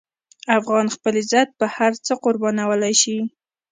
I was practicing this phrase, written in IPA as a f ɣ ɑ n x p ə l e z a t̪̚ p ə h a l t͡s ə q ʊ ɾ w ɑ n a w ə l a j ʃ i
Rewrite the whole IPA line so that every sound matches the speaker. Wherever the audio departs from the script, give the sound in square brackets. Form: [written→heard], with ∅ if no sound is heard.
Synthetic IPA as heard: a f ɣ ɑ n x p ə l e z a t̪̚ p ə h a [l→ɾ] t͡s ə q ʊ ɾ [w→b] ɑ n a w ə l a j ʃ i

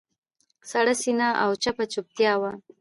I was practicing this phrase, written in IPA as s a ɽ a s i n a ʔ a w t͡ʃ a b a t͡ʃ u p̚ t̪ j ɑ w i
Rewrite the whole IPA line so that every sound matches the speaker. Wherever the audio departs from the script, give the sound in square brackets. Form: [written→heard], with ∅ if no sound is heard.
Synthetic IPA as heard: s a ɽ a s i n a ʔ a w t͡ʃ a [b→p] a t͡ʃ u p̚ t̪ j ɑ w [i→a]

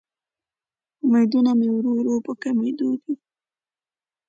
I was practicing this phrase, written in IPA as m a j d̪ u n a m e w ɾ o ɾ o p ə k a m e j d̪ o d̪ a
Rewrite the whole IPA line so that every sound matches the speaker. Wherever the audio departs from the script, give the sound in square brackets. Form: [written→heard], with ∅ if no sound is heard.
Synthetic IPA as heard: m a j d̪ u n a m e w ɾ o ɾ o p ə k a m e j d̪ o d̪ [a→i]

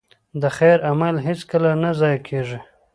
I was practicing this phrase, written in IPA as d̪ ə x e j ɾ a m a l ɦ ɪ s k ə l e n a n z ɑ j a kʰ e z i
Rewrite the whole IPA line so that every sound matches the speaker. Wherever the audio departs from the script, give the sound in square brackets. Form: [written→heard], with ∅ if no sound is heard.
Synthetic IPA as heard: d̪ ə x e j ɾ a m a l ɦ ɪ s k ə l [e→a] n a [n→∅] z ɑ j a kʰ e [z→ʐ] i

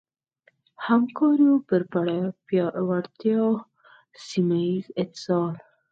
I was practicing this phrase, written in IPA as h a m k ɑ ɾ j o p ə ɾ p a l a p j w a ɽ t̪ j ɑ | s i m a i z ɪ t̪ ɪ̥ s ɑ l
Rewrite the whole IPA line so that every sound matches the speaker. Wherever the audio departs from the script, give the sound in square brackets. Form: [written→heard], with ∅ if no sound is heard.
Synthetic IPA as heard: h a m k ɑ ɾ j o p ə ɾ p a [l→ɽ] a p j w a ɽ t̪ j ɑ | s i m a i z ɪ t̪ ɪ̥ s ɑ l

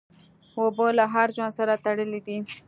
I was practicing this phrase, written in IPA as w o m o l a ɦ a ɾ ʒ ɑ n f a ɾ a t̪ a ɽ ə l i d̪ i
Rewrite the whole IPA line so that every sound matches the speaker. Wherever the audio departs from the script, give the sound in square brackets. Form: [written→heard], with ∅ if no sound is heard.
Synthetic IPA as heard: w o [m→b] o l a ɦ a ɾ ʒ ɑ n [f→s] a ɾ a t̪ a ɽ ə l i d̪ i

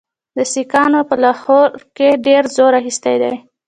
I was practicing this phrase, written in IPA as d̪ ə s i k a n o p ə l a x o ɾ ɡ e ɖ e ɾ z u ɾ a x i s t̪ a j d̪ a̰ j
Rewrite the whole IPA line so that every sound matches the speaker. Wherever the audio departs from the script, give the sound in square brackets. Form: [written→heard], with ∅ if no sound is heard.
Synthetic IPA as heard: d̪ ə s i k [a→ɑ] n o p ə l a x o ɾ [ɡ→k] e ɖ e ɾ z [u→o] ɾ a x i s t̪ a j d̪ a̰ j

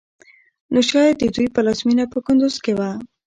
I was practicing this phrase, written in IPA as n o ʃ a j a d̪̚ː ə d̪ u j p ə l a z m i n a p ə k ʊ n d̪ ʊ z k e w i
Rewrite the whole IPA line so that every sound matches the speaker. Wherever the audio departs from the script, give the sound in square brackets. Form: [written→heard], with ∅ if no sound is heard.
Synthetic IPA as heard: n o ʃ [a→ɑ] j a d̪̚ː ə d̪ u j p ə l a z m i n a p ə k ʊ n d̪ ʊ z k e w [i→a]

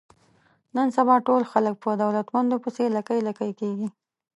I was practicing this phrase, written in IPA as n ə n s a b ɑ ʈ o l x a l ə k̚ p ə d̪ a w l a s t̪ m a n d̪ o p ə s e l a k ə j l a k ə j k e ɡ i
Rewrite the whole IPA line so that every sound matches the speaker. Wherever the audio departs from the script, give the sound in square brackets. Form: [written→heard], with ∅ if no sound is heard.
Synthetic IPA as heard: n ə n s a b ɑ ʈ o l x a l ə k̚ p ə d̪ a w l a [s→∅] t̪ m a n d̪ o p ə s e l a k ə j l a k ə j k e ɡ i

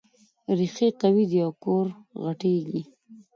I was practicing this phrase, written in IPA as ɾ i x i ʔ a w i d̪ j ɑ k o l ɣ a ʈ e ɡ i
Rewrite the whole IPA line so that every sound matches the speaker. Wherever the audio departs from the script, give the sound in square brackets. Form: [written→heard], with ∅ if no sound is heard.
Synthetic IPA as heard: ɾ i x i [ʔ→q] a w i d̪ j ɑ k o [l→ɾ] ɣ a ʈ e ɡ i

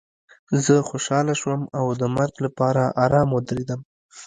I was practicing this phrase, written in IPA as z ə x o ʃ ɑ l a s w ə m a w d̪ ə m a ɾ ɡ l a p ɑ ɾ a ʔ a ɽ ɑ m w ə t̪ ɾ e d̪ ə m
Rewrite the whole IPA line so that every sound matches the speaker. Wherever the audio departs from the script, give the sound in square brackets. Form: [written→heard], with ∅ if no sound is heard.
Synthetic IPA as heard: z ə x o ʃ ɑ l a [s→ʃ] w ə m a w d̪ ə m a ɾ ɡ l a p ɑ ɾ a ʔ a [ɽ→ɾ] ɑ m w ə [t̪→d̪] ɾ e d̪ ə m

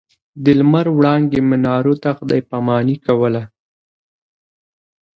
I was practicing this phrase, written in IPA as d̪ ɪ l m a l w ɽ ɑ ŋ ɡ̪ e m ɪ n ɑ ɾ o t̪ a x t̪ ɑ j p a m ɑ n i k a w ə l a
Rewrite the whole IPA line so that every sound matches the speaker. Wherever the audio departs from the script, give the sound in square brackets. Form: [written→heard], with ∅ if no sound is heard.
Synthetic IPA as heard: d̪ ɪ l m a [l→ɾ] w ɽ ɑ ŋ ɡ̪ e m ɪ n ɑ ɾ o t̪ a x [t̪→d̪] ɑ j p a m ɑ n i k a w ə l a

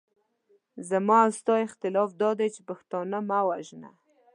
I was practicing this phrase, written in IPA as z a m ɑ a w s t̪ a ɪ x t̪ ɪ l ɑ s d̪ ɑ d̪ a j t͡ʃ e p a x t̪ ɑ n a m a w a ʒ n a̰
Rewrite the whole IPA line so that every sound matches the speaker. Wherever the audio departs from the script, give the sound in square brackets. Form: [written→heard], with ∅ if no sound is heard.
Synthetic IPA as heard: z a m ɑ a w s t̪ [a→ɑ] ɪ x t̪ ɪ l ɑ [s→f] d̪ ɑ d̪ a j t͡ʃ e p a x t̪ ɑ n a m a w a ʒ n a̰

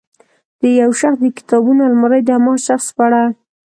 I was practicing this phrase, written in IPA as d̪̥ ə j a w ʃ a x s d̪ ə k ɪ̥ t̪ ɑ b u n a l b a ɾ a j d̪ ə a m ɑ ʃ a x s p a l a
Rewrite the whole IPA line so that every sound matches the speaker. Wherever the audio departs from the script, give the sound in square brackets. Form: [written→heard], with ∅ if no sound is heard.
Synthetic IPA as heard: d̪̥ ə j a w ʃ a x s d̪ ə k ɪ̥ t̪ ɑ b u n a l [b→m] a ɾ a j d̪ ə a m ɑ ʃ a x s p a [l→ɽ] a

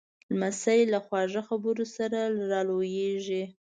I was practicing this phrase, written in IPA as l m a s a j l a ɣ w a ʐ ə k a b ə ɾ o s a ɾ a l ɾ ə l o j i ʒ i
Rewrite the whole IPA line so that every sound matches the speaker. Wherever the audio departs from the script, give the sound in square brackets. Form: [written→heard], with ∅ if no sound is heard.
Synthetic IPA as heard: l m a s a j l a [ɣ→x] w [a→ɑ] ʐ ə [k→x] a b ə ɾ o s a ɾ a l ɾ [ə→ɑ] l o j [i→e] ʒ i

